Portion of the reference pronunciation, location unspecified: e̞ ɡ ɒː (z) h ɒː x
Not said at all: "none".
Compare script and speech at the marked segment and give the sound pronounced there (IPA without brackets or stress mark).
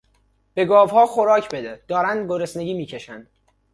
v